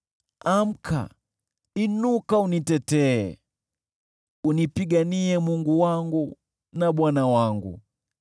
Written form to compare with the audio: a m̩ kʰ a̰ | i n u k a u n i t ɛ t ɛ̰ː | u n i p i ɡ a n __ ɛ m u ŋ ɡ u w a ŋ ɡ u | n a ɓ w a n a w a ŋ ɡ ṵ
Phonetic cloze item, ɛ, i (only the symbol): i